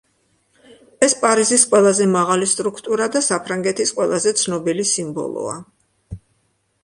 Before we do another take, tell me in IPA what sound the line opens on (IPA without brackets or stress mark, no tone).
ɛ